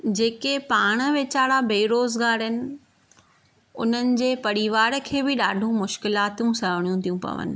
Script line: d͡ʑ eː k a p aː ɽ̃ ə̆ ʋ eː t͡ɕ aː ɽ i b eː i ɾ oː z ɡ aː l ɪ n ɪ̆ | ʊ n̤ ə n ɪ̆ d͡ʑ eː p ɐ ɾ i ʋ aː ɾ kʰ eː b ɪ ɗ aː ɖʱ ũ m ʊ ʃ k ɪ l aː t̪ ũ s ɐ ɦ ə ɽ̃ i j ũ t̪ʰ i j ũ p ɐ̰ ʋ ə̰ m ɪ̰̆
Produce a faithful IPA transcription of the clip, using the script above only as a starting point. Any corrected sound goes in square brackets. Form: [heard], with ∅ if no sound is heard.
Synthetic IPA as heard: d͡ʑ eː k [e] p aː ɽ̃ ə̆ ʋ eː t͡ɕ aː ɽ [a] b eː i ɾ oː z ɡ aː [ɾ] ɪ n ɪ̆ | ʊ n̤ ə n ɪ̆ d͡ʑ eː p ɐ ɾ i ʋ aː ɾ kʰ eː b ɪ ɗ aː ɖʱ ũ m ʊ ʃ k ɪ l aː t̪ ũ s ɐ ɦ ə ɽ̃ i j ũ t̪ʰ i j ũ p ɐ̰ ʋ ə̰ [n] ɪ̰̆

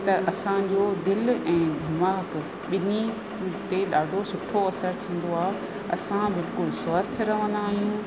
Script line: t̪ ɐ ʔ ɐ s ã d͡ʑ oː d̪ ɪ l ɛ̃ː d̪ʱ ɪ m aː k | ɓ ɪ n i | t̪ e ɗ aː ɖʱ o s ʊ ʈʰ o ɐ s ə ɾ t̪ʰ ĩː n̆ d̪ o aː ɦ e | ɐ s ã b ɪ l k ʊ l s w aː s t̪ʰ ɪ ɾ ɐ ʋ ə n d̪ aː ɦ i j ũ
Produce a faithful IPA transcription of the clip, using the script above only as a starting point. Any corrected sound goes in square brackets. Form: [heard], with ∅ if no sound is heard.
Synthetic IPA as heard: t̪ ɐ ʔ ɐ s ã d͡ʑ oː d̪ ɪ l ɛ̃ː d̪ʱ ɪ m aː k | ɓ ɪ n i | t̪ e ɗ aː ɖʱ o s ʊ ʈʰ o ɐ s ə ɾ t̪ʰ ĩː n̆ d̪ o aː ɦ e | ɐ s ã b ɪ l k ʊ l s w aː s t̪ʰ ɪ ɾ ɐ ʋ ə n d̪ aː ɦ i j ũ

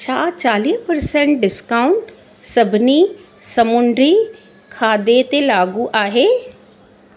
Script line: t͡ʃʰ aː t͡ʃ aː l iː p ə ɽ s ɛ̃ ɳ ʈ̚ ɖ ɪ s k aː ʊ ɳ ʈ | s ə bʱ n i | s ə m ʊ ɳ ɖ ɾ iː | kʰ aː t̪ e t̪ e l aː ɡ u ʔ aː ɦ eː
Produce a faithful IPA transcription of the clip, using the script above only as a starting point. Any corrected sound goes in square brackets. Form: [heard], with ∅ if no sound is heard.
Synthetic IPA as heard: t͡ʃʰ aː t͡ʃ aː l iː p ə [ɾ] s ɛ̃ ɳ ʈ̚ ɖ ɪ s k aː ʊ ɳ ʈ | s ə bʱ n i | s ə m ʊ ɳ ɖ ɾ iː | kʰ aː [d̪] e t̪ e l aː ɡ u ʔ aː ɦ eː

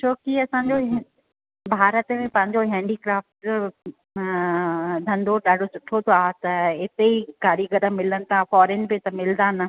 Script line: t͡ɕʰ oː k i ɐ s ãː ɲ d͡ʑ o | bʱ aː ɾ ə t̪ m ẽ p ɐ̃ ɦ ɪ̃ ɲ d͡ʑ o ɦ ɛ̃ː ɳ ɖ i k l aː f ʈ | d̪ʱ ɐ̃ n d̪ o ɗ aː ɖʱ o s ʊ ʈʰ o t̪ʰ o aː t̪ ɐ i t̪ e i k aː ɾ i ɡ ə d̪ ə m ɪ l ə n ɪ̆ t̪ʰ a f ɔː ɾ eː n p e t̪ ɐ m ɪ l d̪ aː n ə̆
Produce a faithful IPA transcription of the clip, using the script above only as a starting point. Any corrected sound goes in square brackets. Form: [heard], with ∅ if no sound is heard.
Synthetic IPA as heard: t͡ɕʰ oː k i ɐ s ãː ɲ d͡ʑ o | bʱ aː ɾ ə t̪ m ẽ p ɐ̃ ɦ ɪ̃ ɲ d͡ʑ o ɦ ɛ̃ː ɳ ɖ i k [ɾ] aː f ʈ | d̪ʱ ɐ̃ n d̪ o ɗ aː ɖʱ o s ʊ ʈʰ o t̪ʰ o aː t̪ ɐ [ɪ] t̪ e i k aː ɾ i ɡ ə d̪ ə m ɪ l ə n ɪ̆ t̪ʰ a f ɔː ɾ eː n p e t̪ ɐ m ɪ l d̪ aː n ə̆

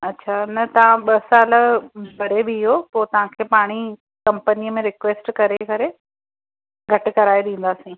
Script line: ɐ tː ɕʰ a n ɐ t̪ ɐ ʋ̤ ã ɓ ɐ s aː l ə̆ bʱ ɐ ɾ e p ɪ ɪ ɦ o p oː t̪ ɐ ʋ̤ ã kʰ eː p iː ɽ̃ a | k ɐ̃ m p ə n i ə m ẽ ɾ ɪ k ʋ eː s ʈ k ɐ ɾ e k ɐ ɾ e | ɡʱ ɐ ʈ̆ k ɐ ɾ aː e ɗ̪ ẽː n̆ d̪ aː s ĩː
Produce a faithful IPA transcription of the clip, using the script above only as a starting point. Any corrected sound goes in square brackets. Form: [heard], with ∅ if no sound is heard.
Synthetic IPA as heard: ɐ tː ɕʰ a n ɐ t̪ ɐ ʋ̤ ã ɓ ɐ s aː l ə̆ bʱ ɐ ɾ e [b] ɪ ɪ ɦ o p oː t̪ ɐ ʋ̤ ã kʰ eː p [aː] ɽ̃ [i] | k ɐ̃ m p ə n i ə m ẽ ɾ ɪ k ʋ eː s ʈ k ɐ ɾ e k ɐ ɾ e | ɡʱ ɐ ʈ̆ k ɐ ɾ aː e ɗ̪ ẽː n̆ d̪ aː s ĩː

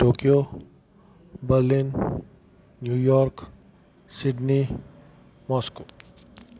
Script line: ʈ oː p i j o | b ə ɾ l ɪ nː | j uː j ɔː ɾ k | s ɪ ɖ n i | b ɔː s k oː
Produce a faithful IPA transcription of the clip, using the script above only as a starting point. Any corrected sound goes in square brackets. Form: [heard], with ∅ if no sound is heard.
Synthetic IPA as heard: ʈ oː [k] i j o | b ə ɾ l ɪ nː | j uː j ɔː ɾ k | s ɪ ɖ n i | [m] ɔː s k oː

